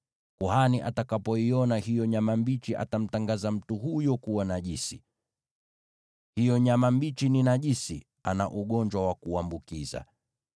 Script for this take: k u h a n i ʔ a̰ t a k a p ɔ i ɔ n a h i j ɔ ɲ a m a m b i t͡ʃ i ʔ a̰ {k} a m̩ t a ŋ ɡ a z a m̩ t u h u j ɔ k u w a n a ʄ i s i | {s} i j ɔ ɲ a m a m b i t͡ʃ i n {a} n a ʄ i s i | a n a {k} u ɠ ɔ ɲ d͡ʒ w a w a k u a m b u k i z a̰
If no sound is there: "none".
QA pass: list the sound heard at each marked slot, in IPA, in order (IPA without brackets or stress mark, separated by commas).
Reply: t, h, i, ʔ